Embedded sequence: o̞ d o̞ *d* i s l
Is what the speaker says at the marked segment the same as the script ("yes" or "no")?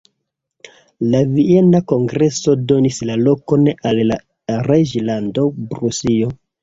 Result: no